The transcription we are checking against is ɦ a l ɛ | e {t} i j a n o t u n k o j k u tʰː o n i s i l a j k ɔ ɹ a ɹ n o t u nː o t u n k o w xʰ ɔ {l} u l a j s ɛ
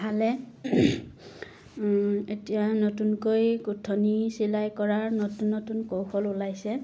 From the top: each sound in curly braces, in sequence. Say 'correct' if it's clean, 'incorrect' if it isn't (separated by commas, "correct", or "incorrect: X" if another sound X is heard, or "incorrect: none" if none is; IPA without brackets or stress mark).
correct, correct